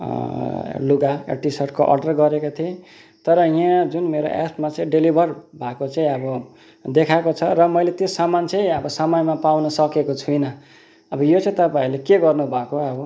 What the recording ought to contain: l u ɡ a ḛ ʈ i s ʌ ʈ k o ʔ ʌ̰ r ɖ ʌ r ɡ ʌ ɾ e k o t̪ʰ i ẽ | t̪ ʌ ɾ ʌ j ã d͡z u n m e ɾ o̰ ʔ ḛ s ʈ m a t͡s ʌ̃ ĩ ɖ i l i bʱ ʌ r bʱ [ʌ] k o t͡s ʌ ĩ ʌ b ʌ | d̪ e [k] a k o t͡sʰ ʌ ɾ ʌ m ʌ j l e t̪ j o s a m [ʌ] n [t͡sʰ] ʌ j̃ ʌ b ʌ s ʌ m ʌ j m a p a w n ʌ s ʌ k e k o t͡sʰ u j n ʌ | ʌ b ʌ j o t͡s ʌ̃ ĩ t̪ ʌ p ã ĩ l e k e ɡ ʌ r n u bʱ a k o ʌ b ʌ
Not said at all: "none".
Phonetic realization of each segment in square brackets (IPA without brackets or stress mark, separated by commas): a, kʰ, a, t͡s